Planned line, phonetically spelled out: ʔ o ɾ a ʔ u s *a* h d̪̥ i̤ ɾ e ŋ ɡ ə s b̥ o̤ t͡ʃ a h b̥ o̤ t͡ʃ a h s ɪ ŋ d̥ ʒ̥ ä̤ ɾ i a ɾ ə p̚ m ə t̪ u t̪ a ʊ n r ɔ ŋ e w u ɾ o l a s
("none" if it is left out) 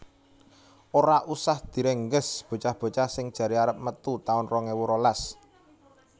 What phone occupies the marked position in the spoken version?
a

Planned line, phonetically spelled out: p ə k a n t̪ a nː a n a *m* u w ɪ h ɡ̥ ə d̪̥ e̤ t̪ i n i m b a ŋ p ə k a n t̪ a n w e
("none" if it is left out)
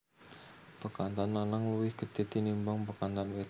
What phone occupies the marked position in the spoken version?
ŋ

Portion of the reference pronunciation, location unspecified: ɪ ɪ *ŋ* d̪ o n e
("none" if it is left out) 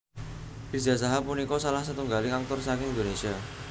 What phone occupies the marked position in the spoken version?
n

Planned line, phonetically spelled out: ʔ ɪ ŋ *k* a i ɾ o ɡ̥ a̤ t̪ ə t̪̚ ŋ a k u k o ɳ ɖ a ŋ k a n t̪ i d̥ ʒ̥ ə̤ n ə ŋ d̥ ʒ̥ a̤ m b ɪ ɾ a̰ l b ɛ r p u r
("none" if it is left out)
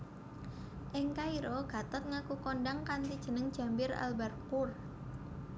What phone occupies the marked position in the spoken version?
k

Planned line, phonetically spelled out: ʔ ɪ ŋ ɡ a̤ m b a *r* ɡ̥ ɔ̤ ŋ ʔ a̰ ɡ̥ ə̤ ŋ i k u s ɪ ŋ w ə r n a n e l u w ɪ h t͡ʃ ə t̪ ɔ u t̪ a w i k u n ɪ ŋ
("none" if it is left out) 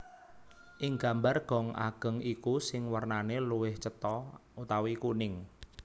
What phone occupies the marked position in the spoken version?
r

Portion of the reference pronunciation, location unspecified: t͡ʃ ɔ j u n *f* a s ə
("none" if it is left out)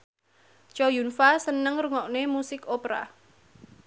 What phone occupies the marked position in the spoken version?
f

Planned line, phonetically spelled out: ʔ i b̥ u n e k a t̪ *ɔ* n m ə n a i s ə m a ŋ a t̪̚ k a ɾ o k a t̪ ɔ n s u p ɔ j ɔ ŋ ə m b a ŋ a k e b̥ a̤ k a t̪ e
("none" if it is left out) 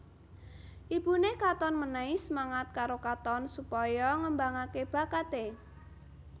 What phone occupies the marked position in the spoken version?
ɔ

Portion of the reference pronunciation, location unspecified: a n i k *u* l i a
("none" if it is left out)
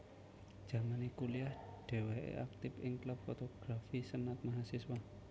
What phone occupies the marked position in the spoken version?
u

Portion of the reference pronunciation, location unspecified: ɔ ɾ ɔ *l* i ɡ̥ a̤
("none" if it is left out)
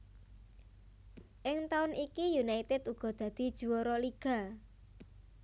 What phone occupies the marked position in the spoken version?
l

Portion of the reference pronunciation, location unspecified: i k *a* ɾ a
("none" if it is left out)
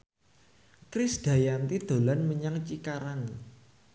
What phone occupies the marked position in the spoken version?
a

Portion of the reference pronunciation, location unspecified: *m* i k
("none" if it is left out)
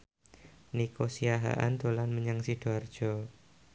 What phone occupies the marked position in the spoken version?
n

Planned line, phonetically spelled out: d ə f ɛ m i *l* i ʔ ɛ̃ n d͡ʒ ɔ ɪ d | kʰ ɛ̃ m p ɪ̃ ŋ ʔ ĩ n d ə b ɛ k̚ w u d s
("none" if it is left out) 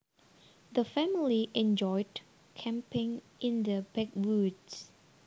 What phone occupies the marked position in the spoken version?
l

